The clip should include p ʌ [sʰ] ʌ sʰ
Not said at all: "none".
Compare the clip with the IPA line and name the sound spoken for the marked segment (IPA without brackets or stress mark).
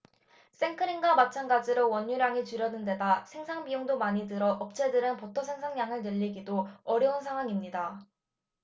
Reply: tʰ